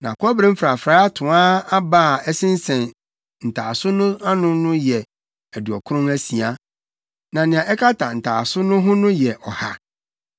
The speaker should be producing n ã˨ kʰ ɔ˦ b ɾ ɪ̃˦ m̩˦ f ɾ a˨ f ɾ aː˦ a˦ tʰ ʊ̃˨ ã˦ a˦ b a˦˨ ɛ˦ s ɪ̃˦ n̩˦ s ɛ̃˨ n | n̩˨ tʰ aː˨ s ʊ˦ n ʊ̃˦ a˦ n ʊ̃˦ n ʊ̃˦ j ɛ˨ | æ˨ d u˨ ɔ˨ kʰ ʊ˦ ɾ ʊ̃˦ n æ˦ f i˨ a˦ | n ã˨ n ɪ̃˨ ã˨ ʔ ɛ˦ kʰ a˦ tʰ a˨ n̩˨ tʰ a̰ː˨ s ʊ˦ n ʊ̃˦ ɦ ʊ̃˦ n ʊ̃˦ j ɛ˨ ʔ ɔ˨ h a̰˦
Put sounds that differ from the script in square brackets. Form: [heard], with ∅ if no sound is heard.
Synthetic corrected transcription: n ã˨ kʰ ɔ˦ b ɾ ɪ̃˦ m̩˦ f ɾ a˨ f ɾ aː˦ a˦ tʰ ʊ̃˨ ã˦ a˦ b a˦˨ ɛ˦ s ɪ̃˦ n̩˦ s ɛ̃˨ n | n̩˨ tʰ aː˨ s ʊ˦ n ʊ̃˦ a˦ n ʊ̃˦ n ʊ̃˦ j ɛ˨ | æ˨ d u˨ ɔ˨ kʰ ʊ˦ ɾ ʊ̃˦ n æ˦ [s] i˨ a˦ | n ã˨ n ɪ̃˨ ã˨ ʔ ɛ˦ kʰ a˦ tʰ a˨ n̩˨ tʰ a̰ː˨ s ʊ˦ n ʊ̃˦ ɦ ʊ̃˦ n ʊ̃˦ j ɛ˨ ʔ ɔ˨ h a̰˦

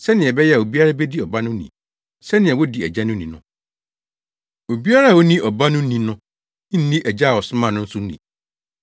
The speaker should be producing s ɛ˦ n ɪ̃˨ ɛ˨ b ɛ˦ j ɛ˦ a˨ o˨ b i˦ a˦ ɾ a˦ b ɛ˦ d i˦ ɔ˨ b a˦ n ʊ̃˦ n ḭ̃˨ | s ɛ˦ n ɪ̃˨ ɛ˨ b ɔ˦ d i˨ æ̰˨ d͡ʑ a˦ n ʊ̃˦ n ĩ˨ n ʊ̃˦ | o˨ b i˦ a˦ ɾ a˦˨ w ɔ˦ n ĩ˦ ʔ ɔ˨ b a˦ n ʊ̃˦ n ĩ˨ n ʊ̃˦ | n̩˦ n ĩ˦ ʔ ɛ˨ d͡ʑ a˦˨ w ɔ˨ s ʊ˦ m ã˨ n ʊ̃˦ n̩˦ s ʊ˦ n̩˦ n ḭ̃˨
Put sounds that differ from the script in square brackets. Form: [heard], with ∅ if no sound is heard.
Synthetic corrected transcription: s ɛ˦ n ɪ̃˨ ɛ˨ b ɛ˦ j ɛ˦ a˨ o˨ b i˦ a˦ ɾ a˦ b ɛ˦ d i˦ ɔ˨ b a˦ n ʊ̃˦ n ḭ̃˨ | s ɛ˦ n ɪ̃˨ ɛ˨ [w] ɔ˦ d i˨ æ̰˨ d͡ʑ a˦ n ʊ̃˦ n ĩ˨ n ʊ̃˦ | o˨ b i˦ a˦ ɾ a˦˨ w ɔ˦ n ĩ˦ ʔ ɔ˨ b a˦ n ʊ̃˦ n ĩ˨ n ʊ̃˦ | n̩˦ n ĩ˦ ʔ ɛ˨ d͡ʑ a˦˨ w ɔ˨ s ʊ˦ m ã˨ n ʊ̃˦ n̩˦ s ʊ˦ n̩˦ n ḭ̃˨

